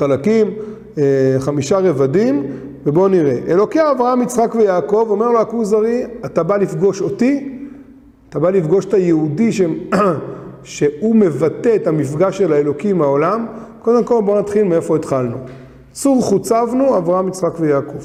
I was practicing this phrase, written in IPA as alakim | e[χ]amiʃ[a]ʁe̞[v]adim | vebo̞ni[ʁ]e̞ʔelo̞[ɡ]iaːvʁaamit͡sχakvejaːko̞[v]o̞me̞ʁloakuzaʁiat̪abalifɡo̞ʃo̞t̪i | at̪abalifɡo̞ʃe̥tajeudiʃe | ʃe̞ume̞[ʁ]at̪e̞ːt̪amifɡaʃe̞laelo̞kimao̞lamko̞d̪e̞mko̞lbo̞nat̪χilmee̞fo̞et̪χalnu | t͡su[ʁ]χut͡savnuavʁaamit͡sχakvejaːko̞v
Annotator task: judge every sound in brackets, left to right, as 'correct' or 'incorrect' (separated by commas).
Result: correct, correct, correct, correct, incorrect, correct, incorrect, correct